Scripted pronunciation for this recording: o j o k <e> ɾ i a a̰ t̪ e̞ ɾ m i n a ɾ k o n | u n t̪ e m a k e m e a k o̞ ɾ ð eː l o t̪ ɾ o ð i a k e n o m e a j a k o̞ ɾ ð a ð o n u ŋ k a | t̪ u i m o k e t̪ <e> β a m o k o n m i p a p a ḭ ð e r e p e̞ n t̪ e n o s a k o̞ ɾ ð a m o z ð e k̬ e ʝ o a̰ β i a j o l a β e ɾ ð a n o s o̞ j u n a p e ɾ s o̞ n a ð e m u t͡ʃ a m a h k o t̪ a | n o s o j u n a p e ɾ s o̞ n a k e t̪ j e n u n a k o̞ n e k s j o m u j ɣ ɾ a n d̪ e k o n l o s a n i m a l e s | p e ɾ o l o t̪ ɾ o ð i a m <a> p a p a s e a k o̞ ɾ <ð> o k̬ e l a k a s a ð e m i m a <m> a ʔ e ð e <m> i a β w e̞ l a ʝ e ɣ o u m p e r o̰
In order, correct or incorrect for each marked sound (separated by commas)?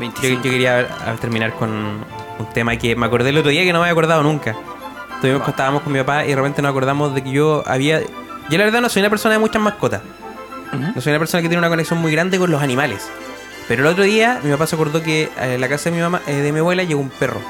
correct, incorrect, incorrect, correct, correct, correct